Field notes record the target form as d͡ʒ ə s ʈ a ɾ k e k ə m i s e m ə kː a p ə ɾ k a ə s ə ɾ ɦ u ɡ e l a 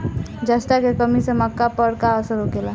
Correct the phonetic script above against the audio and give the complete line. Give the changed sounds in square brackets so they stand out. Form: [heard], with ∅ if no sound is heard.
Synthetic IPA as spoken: d͡ʒ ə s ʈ a [∅] k e k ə m i s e m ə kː a p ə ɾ k a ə s ə ɾ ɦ [o] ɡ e l a